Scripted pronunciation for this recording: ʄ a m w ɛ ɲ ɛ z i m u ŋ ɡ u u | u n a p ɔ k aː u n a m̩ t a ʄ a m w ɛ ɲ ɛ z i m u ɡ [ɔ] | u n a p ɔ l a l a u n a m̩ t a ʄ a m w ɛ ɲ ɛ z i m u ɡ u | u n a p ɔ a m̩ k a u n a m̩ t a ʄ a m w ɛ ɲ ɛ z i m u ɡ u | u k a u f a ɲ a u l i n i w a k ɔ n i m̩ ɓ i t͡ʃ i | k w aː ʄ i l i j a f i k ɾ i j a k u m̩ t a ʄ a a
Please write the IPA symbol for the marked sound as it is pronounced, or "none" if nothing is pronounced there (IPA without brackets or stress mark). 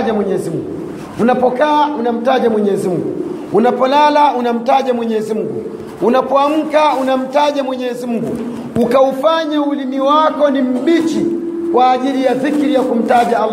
u